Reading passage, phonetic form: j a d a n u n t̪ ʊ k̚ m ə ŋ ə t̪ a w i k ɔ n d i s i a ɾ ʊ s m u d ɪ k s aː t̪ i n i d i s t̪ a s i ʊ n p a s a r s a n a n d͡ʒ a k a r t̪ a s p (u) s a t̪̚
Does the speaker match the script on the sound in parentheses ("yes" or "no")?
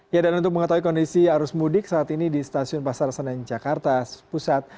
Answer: yes